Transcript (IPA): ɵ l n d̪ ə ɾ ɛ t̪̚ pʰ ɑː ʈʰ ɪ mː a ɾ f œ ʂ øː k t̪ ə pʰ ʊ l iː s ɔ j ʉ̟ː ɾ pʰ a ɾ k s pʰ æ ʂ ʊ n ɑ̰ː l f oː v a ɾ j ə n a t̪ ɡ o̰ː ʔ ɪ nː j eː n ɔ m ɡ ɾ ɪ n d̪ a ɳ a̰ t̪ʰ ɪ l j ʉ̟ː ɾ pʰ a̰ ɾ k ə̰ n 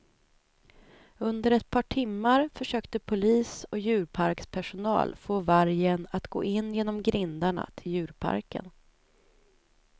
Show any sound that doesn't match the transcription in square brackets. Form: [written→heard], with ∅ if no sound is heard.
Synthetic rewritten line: ɵ [l→∅] n d̪ ə ɾ ɛ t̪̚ pʰ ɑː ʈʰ ɪ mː a ɾ f œ ʂ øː k t̪ ə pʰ ʊ l iː s ɔ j ʉ̟ː ɾ pʰ a ɾ k s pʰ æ ʂ ʊ n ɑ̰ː l f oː v a ɾ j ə n a t̪ ɡ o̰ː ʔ ɪ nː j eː n ɔ m ɡ ɾ ɪ n d̪ a ɳ a̰ t̪ʰ ɪ l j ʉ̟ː ɾ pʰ a̰ ɾ k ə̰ n